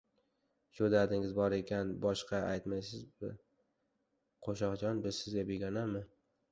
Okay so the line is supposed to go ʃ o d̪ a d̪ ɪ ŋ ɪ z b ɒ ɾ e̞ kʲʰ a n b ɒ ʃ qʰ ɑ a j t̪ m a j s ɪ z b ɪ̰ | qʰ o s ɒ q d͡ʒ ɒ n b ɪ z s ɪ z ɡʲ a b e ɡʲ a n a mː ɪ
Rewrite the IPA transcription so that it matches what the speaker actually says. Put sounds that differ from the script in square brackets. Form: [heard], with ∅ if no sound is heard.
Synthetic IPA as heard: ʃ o d̪ a d̪ ɪ ŋ ɪ z b ɒ ɾ e̞ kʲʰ a n b ɒ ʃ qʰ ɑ a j t̪ m a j s ɪ z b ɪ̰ | qʰ o [ʃ] ɒ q d͡ʒ ɒ n b ɪ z s ɪ z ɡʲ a b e ɡʲ a n a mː ɪ